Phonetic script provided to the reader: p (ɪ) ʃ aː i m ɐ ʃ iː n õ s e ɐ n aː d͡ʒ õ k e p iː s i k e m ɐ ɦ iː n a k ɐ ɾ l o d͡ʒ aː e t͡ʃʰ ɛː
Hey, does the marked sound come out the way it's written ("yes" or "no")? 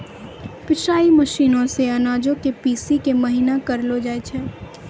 yes